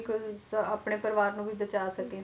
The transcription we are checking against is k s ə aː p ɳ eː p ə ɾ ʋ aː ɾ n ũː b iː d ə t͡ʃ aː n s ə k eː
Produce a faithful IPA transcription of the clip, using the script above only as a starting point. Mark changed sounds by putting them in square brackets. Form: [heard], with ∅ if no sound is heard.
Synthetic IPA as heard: k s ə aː p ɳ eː p ə ɾ ʋ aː ɾ n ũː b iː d ə t͡ʃ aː [∅] s ə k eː